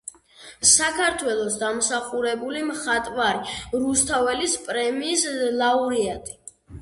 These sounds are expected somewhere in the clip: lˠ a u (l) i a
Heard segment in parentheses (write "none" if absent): ɾ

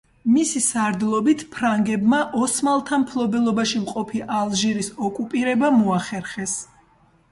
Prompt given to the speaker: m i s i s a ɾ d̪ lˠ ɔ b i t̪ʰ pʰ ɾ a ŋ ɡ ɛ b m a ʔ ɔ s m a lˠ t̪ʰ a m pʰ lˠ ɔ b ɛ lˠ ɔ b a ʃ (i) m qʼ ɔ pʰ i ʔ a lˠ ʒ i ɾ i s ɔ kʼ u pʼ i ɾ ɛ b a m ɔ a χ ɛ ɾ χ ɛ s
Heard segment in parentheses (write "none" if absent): i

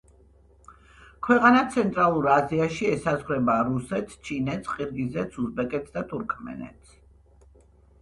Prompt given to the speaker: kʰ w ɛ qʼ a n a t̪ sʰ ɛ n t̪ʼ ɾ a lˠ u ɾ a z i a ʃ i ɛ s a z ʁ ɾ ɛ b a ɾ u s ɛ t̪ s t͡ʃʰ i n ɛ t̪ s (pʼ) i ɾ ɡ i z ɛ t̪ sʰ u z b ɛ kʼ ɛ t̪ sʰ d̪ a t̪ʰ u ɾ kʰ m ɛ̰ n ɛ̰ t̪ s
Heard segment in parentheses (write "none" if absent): qʼ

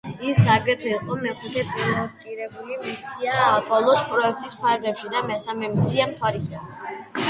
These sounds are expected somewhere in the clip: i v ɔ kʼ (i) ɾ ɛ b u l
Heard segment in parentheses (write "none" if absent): i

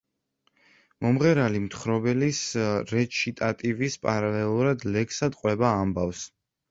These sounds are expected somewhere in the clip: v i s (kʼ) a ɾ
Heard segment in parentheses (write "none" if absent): pʼ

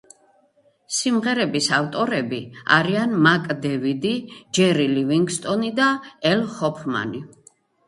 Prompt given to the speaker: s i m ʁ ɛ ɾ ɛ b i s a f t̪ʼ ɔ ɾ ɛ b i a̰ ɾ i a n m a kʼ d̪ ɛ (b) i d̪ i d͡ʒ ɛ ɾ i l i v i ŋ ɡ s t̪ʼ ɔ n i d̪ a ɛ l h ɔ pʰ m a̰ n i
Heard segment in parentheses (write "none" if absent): v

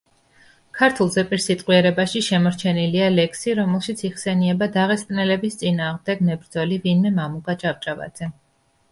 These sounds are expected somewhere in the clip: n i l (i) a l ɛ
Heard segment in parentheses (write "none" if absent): i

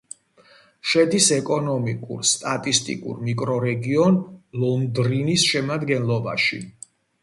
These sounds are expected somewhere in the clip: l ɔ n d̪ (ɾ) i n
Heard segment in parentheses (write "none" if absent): ɾ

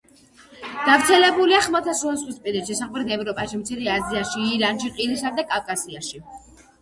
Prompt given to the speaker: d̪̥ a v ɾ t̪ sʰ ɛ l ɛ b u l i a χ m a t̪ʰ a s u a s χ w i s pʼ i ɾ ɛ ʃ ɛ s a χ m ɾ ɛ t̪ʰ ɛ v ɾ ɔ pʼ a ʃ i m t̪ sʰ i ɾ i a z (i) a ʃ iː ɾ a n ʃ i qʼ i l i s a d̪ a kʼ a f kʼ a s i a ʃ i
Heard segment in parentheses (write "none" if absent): i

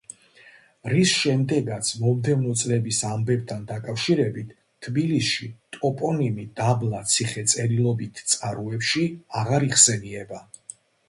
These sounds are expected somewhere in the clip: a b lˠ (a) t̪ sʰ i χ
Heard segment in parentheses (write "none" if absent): a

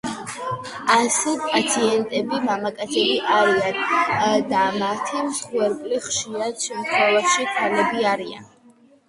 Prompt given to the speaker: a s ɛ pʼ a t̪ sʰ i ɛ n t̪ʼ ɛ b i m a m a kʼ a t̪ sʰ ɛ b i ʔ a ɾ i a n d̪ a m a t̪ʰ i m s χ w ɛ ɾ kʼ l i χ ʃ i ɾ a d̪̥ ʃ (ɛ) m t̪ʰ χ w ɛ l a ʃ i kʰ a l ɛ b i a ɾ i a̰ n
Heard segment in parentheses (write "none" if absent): ɛ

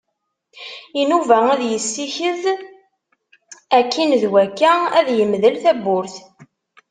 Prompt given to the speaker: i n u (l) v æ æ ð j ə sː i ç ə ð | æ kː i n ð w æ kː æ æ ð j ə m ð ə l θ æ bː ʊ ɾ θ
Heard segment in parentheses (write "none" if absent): none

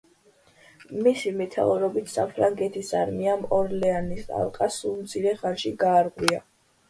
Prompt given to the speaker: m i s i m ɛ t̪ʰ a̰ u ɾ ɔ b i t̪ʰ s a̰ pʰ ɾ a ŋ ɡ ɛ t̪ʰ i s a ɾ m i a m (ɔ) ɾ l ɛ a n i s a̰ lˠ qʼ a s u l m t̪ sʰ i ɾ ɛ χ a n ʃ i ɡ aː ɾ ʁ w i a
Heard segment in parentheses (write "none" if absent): ɔ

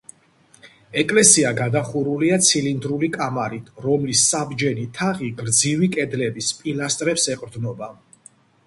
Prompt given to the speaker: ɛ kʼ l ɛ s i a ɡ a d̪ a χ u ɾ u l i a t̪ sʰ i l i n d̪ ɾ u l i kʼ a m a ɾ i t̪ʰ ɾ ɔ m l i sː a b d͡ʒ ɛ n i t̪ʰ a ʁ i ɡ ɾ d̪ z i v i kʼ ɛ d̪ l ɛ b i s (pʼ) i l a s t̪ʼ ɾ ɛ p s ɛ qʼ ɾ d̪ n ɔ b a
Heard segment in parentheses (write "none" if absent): pʼ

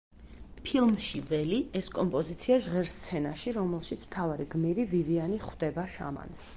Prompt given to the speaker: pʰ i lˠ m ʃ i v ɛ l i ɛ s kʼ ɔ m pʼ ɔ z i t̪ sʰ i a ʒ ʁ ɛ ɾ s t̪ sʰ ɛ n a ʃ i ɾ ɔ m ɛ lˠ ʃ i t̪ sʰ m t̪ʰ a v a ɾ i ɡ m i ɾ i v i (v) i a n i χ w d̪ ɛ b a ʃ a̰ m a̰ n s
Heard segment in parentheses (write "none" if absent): v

